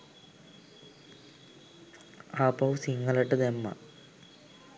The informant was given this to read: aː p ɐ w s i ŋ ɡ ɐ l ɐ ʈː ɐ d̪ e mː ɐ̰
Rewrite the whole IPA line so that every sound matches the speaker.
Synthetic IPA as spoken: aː p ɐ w s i ŋ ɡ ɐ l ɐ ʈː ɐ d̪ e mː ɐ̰